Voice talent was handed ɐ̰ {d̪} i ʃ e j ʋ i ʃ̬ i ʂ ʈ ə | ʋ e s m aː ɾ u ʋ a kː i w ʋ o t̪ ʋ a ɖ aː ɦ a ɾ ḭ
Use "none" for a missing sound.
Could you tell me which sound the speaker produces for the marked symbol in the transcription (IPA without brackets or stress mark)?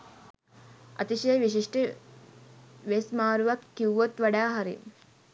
t̪